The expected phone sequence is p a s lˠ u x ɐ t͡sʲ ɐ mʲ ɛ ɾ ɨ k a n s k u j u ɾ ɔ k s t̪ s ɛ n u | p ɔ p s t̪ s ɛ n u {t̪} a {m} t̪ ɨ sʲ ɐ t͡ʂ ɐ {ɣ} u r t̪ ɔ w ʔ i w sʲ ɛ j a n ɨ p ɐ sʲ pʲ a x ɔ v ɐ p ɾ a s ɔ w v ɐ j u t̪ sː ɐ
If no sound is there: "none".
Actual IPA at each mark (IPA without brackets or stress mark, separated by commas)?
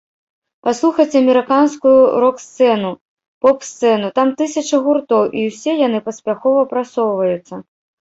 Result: t̪, m, ɣ